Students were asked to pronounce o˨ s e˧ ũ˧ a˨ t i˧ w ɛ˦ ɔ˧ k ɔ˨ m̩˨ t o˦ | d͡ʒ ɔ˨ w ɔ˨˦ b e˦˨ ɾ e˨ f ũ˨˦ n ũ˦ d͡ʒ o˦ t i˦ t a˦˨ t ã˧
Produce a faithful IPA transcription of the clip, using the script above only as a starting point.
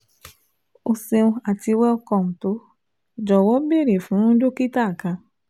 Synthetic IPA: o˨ s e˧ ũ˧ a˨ t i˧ w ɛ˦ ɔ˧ k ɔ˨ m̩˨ t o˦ | d͡ʒ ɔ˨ w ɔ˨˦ b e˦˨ ɾ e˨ f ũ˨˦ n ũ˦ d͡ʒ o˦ k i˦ t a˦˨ k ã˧